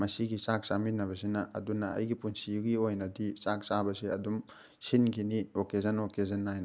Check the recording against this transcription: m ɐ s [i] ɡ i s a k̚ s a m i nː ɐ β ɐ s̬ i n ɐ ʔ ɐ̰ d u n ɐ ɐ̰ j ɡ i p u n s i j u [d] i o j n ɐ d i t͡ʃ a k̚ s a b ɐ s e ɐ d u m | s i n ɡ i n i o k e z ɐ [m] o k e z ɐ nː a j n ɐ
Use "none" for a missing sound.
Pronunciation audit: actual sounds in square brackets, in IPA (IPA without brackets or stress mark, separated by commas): i, ɡ, n